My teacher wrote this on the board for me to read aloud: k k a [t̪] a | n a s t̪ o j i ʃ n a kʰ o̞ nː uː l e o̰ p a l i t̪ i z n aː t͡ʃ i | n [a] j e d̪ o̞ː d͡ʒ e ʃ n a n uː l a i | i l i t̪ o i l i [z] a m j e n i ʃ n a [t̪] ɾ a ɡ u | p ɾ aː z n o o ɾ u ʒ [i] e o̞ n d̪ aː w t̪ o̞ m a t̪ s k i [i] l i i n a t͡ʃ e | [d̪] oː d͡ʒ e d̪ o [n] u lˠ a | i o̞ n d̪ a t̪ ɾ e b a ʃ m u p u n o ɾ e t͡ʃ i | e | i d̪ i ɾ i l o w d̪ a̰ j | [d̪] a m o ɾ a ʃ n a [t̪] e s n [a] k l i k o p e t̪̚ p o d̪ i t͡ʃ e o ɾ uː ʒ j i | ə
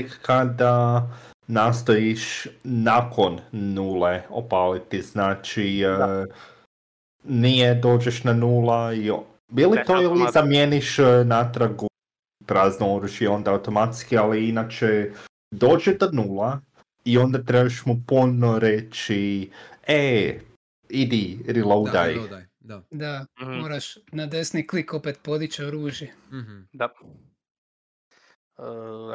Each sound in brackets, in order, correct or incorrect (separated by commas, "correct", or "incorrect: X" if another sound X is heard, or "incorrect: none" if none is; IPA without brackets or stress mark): incorrect: d̪, incorrect: i, correct, correct, incorrect: j, incorrect: a, correct, correct, correct, incorrect: d̪, incorrect: i